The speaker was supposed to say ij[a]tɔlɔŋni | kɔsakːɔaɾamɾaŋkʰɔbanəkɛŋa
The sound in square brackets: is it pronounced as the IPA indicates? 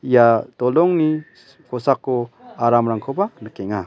yes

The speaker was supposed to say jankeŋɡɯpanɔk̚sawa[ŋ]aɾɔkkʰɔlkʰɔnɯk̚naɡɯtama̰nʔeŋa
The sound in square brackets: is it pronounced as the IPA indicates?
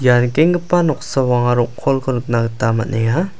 yes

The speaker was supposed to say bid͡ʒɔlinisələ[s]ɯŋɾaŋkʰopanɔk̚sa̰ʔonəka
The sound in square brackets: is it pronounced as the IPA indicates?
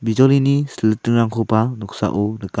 no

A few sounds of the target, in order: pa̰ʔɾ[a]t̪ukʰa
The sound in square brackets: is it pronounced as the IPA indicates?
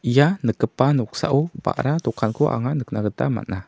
yes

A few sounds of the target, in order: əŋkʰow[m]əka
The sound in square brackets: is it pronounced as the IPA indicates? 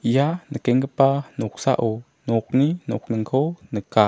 no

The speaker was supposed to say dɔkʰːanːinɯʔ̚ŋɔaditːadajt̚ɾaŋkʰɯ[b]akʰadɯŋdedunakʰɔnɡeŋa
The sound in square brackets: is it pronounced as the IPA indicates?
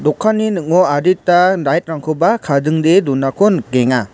yes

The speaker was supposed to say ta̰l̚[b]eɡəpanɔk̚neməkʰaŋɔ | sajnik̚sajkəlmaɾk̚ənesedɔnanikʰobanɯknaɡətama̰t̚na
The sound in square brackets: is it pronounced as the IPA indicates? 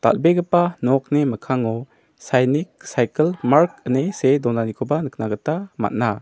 yes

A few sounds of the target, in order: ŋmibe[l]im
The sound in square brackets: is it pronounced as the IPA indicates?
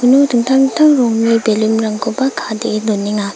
yes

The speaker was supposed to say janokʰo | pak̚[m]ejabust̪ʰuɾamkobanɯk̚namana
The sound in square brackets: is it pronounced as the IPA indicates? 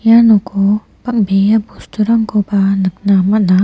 no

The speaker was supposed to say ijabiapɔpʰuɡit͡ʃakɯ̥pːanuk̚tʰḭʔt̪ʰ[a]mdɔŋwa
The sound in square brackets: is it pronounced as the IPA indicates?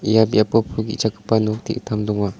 yes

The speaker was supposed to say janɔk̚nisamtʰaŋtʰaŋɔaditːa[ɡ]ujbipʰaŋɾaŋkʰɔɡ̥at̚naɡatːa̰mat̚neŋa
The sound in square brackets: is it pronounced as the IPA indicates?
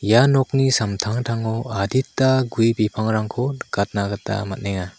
yes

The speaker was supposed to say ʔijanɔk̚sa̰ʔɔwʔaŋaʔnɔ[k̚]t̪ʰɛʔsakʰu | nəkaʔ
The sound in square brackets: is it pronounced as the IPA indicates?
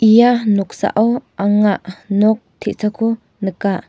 yes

